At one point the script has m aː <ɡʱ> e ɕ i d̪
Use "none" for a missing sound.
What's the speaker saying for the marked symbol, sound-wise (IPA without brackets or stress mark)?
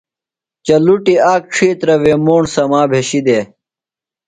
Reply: bʱ